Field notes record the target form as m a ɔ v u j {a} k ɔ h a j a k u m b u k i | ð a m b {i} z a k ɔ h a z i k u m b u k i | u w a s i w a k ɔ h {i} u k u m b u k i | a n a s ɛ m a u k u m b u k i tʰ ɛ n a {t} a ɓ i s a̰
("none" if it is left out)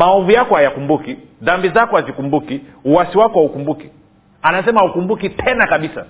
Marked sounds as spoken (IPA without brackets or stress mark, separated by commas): a, i, a, k